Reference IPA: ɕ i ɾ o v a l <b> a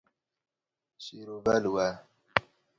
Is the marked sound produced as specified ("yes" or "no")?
no